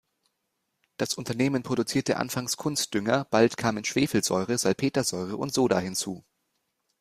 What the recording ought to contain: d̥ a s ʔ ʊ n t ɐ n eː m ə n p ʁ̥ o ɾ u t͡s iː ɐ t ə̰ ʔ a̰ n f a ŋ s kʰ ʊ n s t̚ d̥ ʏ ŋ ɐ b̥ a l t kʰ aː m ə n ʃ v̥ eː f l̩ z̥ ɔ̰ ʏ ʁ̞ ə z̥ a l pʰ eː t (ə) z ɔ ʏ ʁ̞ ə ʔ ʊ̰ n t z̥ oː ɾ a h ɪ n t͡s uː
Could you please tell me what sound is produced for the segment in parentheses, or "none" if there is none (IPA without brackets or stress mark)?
ɐ